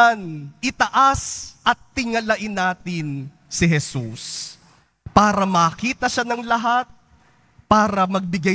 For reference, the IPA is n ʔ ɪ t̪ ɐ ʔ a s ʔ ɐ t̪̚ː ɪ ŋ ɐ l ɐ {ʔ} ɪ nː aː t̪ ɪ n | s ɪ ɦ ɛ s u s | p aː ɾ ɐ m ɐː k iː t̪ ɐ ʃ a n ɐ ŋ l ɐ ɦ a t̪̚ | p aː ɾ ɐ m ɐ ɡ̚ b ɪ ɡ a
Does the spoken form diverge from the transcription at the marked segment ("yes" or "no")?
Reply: no